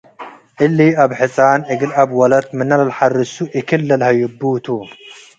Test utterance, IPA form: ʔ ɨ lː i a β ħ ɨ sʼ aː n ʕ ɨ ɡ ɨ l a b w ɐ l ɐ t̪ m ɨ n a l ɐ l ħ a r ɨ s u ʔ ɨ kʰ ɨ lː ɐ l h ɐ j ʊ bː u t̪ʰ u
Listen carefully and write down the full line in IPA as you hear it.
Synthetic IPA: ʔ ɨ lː i a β ħ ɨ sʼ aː n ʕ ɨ ɡ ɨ l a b w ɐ l ɐ t̪ m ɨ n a l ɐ l ħ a r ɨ s u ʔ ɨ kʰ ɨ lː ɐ l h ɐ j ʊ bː u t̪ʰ u